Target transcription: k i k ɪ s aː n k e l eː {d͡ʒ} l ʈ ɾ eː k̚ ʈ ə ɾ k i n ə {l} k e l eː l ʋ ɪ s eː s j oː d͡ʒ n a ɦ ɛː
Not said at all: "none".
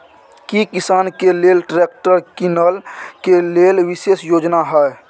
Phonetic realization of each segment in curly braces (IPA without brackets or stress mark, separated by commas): none, l